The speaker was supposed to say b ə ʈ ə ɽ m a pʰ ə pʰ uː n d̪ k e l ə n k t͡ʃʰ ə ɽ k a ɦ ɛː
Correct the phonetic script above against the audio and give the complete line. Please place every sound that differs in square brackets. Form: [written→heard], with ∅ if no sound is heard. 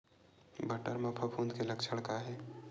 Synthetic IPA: b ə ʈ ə [ɽ→ɾ] m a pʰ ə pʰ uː n d̪ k e l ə [n→∅] k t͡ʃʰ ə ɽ k a ɦ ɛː